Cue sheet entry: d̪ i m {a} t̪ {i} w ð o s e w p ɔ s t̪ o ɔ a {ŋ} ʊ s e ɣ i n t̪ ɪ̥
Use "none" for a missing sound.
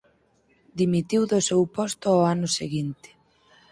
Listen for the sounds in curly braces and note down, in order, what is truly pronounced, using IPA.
i, i, n

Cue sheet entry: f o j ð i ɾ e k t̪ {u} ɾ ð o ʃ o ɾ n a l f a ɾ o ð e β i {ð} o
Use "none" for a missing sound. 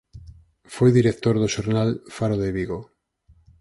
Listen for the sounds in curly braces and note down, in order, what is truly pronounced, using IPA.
o, ɣ

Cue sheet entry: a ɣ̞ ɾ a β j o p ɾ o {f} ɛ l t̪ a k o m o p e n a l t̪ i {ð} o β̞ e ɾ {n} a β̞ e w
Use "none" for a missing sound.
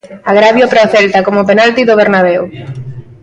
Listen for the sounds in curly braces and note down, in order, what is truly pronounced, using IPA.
θ, ð, n

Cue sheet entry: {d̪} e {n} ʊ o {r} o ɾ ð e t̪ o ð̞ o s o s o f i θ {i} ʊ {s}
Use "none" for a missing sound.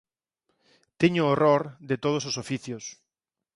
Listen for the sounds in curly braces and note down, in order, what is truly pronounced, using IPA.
t̪, ɲ, r, j, s

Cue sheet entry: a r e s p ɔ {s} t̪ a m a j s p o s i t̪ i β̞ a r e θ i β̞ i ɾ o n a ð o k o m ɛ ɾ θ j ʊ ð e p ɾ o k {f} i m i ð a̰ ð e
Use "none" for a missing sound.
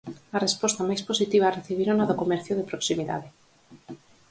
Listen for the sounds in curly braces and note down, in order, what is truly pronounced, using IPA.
s, s

